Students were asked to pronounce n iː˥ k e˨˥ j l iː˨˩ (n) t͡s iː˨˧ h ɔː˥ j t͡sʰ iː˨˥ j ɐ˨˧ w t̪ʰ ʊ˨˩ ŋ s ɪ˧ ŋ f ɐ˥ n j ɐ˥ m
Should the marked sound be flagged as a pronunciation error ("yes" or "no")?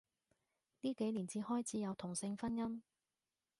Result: no